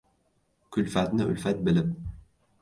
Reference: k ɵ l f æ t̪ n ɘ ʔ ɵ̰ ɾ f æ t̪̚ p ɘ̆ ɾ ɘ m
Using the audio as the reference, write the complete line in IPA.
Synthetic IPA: k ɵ l f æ t̪ n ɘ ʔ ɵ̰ l f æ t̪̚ b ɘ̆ l ɘ m